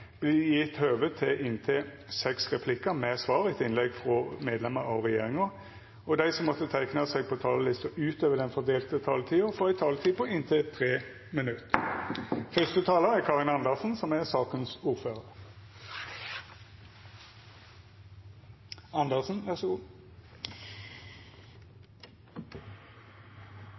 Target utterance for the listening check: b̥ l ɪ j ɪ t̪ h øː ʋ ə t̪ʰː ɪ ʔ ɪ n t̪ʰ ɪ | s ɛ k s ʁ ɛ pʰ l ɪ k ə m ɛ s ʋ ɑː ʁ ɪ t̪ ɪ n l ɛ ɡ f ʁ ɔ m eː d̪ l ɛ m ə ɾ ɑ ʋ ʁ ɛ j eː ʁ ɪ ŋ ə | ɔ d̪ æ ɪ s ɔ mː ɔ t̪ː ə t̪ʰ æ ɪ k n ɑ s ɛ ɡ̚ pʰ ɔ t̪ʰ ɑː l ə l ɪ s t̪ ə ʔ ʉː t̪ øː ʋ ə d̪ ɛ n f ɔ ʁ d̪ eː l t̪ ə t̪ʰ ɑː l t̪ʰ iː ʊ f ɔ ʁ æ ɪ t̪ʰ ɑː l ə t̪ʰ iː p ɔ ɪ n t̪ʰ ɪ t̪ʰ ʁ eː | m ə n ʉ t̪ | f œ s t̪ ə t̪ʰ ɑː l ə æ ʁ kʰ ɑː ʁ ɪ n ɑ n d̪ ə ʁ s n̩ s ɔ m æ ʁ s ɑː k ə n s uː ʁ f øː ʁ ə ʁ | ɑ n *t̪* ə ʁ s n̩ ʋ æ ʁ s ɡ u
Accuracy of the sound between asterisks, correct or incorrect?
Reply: incorrect